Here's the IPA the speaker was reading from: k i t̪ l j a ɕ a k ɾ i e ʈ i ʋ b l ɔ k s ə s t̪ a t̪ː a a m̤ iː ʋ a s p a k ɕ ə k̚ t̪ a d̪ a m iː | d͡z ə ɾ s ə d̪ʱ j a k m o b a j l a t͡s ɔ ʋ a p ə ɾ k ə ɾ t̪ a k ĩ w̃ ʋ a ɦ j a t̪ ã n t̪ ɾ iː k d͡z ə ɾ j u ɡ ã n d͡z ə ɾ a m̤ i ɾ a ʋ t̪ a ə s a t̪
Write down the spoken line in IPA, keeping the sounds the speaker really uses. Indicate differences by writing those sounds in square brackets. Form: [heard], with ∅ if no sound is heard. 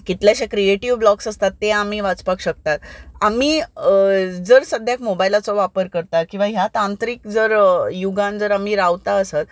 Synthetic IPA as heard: k i t̪ l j a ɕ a k ɾ i e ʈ i ʋ b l ɔ k s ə s t̪ a t̪ː [e] a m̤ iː ʋ a [t͡s] p a k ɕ ə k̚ t̪ a [t̪] a m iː | d͡z ə ɾ s ə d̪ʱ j a k m o b a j l a t͡s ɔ ʋ a p ə ɾ k ə ɾ t̪ a k ĩ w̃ ʋ a ɦ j a t̪ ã n t̪ ɾ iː k d͡z ə ɾ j u ɡ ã n d͡z ə ɾ a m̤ i ɾ a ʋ t̪ a ə s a t̪